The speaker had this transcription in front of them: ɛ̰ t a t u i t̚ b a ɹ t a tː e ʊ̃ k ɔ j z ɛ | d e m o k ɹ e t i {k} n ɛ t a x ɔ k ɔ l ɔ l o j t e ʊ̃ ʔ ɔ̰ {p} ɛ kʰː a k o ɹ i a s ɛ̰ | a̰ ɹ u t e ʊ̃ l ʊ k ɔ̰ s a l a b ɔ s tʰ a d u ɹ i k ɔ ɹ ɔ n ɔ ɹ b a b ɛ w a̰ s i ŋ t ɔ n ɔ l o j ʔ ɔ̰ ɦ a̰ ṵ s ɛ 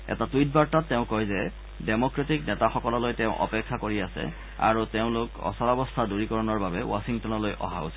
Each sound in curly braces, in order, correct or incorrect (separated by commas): correct, correct